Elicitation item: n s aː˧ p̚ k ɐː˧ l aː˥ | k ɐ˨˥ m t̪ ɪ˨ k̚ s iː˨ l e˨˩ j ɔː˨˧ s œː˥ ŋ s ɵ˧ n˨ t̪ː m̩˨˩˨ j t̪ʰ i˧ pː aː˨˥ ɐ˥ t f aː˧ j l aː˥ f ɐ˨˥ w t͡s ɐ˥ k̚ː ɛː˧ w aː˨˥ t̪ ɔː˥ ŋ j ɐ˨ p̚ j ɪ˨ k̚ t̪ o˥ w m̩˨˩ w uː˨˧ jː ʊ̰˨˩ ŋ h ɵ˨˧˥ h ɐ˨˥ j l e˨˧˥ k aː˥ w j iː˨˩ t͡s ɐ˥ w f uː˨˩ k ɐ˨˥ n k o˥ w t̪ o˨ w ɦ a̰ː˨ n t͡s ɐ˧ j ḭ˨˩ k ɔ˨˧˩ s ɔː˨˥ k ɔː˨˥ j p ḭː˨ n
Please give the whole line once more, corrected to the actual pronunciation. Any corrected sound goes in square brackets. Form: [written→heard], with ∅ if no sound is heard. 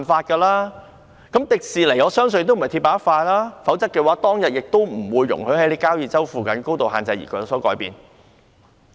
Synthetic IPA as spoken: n [s→f] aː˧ [p̚→t̚] k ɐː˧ l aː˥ | k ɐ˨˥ m t̪ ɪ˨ k̚ s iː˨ l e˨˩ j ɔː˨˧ s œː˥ ŋ s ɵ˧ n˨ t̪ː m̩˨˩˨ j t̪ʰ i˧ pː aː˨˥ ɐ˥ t f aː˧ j l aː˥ f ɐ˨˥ w t͡s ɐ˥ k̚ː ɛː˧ w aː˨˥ t̪ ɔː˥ ŋ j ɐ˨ [p̚→t̚] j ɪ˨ k̚ t̪ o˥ w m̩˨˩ w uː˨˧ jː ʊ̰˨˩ ŋ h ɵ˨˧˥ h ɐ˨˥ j l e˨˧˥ k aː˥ w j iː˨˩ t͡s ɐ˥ w f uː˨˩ k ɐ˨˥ n k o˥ w t̪ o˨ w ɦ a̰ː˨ n t͡s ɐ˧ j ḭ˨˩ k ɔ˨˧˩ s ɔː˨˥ k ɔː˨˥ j p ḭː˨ n